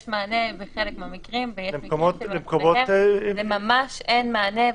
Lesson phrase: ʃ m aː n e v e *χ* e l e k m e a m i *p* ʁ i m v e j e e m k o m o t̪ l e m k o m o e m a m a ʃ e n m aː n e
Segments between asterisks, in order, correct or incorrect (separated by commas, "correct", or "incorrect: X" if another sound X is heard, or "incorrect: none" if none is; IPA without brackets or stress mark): correct, incorrect: k